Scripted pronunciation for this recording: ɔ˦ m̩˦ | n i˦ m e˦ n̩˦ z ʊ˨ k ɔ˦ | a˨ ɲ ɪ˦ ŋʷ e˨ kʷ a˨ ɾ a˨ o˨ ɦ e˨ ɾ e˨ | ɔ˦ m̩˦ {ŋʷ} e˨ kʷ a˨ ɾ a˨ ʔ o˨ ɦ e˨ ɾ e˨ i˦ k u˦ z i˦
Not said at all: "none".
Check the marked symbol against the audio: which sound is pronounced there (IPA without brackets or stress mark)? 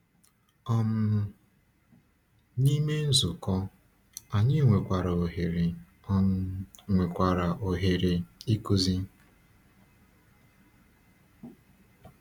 ŋʷ